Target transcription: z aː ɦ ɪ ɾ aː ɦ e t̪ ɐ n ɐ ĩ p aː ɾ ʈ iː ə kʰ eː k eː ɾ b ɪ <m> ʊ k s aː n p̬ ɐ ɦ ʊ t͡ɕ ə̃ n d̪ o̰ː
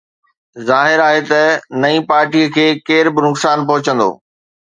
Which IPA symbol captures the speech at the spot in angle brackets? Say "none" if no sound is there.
n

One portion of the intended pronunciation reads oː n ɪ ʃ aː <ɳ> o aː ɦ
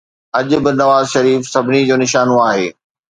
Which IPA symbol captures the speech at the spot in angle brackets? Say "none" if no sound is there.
n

